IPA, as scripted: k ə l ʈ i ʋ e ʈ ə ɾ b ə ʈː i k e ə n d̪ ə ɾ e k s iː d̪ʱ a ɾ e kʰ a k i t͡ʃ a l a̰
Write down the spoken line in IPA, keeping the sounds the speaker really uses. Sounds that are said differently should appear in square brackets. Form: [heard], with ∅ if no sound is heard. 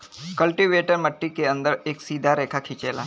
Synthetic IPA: k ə l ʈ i ʋ e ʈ ə ɾ [m] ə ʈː i k e ə n d̪ ə ɾ e k s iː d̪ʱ a ɾ e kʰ a [kʰ] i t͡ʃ [e] l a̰